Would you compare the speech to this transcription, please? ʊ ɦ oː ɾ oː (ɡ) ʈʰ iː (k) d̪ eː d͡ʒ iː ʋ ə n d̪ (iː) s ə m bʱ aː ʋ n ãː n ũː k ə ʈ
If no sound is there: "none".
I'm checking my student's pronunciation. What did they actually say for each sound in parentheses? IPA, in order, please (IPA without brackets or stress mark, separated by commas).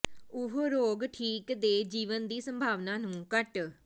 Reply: ɡ, k, iː